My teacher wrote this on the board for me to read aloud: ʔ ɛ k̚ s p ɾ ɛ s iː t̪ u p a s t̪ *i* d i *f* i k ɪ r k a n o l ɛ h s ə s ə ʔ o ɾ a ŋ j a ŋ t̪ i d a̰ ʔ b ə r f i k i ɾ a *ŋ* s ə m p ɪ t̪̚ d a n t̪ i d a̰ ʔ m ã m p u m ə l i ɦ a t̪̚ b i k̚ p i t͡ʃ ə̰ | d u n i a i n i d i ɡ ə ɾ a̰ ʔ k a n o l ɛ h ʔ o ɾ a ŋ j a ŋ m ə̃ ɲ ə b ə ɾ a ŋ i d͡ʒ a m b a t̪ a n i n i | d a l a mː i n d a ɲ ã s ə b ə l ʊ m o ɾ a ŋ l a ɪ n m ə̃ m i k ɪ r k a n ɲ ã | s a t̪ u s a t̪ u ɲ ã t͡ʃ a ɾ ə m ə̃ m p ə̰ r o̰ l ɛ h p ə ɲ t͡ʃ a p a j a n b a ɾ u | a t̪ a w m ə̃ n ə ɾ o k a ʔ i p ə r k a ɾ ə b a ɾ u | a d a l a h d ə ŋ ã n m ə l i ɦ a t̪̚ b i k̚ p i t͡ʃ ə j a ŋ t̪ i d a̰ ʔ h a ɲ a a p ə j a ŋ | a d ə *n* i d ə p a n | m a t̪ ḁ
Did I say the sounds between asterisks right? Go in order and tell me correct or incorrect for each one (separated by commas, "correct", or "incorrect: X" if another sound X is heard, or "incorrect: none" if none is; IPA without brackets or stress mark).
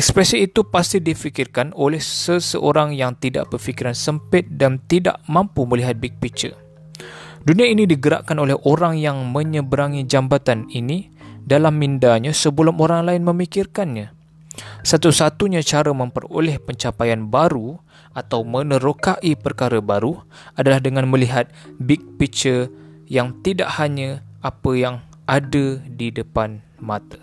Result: correct, correct, incorrect: n, incorrect: d